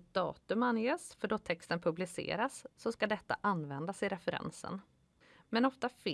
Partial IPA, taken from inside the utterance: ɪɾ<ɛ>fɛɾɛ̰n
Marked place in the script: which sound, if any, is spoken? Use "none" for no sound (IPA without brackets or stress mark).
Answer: ɛ